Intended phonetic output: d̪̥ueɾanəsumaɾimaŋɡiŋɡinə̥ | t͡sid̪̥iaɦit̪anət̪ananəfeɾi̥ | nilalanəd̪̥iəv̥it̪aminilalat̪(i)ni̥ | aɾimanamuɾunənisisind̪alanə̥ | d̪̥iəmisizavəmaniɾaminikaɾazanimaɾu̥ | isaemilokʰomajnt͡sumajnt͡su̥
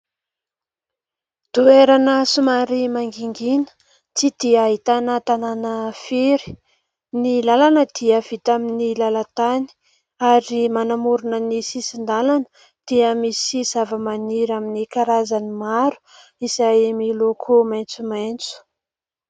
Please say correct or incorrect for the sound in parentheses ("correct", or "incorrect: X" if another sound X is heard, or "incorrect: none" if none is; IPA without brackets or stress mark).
incorrect: a